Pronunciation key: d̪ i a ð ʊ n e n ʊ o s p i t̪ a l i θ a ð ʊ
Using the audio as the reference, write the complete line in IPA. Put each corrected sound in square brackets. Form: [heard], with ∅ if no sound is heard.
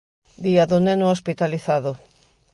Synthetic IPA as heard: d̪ i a ð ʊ n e n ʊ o s p i t̪ a l i θ a ð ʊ